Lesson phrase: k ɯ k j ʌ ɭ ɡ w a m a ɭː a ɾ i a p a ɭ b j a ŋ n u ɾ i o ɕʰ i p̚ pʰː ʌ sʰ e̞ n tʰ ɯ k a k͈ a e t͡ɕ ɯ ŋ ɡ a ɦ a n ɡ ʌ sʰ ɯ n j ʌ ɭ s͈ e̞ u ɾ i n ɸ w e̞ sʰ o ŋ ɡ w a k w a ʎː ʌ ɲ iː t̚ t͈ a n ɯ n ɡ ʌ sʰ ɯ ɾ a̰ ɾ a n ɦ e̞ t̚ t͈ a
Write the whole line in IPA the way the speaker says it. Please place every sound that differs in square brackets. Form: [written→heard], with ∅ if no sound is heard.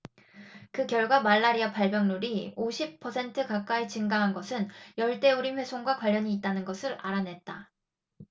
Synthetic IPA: k ɯ k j ʌ ɭ ɡ w a m a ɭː a ɾ i a p a ɭ b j [a→ʌ] ŋ n u ɾ i o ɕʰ i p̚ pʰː ʌ sʰ e̞ n tʰ ɯ k a k͈ a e t͡ɕ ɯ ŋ ɡ a ɦ a n ɡ ʌ sʰ ɯ n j ʌ ɭ [s͈→t͈] e̞ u ɾ i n ɸ w e̞ sʰ o ŋ ɡ w a k w a ʎː ʌ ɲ iː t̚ t͈ a n ɯ n ɡ ʌ sʰ ɯ ɾ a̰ ɾ a n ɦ e̞ t̚ t͈ a

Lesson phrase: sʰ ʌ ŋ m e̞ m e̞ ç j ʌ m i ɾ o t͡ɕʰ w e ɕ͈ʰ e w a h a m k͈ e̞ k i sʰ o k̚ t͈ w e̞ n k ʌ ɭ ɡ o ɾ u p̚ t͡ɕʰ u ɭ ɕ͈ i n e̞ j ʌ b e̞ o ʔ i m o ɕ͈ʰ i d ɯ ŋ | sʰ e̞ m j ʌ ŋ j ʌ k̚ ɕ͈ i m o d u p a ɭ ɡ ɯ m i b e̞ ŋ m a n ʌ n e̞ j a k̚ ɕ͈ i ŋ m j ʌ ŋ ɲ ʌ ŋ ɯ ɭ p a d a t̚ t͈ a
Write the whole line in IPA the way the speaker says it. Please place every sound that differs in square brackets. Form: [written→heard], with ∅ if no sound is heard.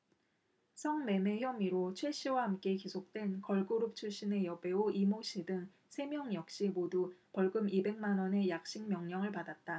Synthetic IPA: sʰ ʌ ŋ m e̞ m e̞ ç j ʌ m i ɾ o t͡ɕʰ w e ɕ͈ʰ [e→i] w a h a m k͈ e̞ k i sʰ o k̚ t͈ w e̞ n k ʌ ɭ ɡ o ɾ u p̚ t͡ɕʰ u ɭ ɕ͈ i n e̞ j ʌ b e̞ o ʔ i m o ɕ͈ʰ i d ɯ ŋ | sʰ e̞ m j ʌ ŋ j ʌ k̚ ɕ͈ i m o d u p [a→ʌ] ɭ ɡ ɯ m i b e̞ ŋ m a n ʌ n e̞ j a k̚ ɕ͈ i ŋ m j ʌ ŋ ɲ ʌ ŋ ɯ ɭ p a d a t̚ t͈ a

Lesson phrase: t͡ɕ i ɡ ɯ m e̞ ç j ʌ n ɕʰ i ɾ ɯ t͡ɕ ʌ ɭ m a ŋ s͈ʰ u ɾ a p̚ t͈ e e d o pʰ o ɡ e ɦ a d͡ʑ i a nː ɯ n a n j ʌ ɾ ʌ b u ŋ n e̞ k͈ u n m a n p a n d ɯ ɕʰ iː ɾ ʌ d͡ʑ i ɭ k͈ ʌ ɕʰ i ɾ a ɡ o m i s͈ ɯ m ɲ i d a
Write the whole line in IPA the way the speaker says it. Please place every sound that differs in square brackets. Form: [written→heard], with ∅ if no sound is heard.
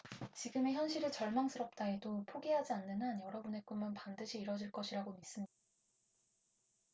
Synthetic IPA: t͡ɕ i ɡ ɯ m e̞ ç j ʌ n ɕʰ i ɾ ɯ t͡ɕ ʌ ɭ m a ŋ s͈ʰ [u→ɯ] ɾ [a→ʌ] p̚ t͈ [e→a] e d o pʰ o ɡ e ɦ a d͡ʑ i a nː ɯ n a n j ʌ ɾ ʌ b u [ŋ→∅] n e̞ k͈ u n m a n p a n d ɯ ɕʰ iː ɾ ʌ d͡ʑ i ɭ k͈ ʌ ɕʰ i ɾ a ɡ o m i s͈ ɯ m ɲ i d a

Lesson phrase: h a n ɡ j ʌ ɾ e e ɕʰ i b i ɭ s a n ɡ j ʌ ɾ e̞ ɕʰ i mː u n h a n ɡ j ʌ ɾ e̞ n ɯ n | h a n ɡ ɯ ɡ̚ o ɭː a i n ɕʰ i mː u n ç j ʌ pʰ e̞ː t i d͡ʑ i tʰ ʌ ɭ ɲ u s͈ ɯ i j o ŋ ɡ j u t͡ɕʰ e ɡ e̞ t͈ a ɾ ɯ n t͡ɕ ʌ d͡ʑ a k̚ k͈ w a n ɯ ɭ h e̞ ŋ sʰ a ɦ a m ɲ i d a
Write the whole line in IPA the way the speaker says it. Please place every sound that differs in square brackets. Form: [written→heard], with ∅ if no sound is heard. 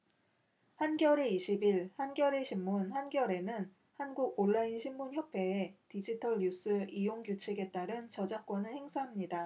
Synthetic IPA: h a n ɡ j ʌ ɾ e [e→i] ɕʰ i b i ɭ [s→h] a n ɡ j ʌ ɾ e̞ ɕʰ i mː u n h a n ɡ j ʌ ɾ e̞ n ɯ n | h a n ɡ [ɯ→u] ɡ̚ o ɭː a i n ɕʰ i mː u n ç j ʌ pʰ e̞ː t i d͡ʑ i tʰ ʌ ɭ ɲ u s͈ ɯ i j o ŋ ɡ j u t͡ɕʰ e ɡ e̞ t͈ a ɾ ɯ n t͡ɕ ʌ d͡ʑ a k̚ k͈ w [a→ʌ] n ɯ ɭ h e̞ ŋ sʰ a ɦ a m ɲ i d a

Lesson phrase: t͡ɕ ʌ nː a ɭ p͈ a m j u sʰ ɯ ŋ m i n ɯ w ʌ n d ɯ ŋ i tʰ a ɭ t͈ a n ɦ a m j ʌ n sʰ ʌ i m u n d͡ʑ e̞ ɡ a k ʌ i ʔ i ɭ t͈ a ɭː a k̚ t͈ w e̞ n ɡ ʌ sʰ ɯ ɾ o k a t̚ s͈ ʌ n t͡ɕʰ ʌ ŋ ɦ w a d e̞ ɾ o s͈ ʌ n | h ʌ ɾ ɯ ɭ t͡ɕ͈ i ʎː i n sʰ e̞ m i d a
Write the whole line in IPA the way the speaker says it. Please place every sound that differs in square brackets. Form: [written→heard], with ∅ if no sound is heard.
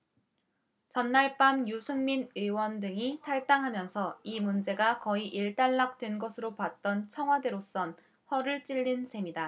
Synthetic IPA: t͡ɕ ʌ nː a ɭ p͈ a m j u sʰ ɯ ŋ m i n ɯ w ʌ n d ɯ ŋ i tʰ a ɭ t͈ a [n→ŋ] ɦ a m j ʌ n sʰ ʌ i m u n d͡ʑ e̞ ɡ a k ʌ i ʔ i ɭ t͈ a ɭː a k̚ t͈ w e̞ n ɡ ʌ sʰ ɯ ɾ o [k→p] a t̚ [s͈→t͈] ʌ n t͡ɕʰ ʌ ŋ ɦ w a d e̞ ɾ o s͈ ʌ n | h ʌ ɾ ɯ ɭ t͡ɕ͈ i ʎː i n sʰ e̞ m i d a

